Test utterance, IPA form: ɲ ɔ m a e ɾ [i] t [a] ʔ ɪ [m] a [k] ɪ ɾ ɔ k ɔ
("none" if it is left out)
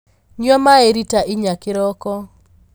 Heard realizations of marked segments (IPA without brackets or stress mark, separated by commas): i, a, ɲ, k